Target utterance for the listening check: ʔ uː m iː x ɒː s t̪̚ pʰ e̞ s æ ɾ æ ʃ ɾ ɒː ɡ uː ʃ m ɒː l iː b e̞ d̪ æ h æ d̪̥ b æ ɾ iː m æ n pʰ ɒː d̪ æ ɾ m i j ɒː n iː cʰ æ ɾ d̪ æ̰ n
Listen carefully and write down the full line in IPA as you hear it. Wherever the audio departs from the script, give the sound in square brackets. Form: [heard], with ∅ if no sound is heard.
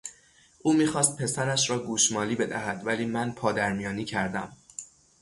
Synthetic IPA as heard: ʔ uː m iː x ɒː s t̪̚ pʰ e̞ s æ ɾ æ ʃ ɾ ɒː ɡ uː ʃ m ɒː l iː b e̞ d̪ æ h æ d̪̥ [v] æ [l] iː m æ n pʰ ɒː d̪ æ ɾ m i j ɒː n iː cʰ æ ɾ d̪ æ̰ [m]